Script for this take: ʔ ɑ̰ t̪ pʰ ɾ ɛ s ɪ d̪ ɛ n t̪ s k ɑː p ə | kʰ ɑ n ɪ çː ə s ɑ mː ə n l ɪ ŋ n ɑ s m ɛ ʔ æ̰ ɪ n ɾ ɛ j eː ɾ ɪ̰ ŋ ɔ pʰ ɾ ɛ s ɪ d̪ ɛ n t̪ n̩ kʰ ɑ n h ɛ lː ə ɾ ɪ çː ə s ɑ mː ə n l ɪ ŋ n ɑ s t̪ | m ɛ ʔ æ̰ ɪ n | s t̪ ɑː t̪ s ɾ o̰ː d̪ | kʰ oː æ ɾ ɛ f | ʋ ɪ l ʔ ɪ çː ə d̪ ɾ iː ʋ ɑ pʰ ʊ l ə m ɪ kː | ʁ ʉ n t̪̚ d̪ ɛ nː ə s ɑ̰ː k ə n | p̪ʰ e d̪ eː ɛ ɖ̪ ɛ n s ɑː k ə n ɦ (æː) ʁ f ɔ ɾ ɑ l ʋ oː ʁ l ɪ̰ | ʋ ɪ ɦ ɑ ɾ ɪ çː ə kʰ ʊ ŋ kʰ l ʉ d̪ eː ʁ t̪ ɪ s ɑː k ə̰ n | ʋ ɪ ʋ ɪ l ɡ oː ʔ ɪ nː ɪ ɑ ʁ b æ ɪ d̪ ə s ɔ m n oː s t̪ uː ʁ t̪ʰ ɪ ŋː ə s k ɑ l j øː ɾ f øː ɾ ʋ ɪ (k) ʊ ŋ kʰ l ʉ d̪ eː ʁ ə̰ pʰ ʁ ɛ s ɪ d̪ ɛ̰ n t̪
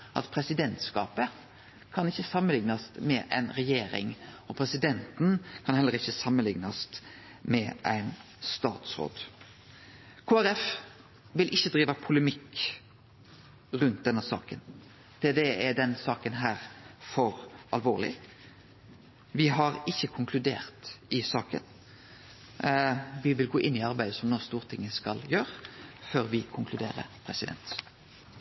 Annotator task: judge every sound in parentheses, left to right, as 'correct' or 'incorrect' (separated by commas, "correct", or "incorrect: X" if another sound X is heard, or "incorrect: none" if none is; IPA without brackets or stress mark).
correct, incorrect: kʰ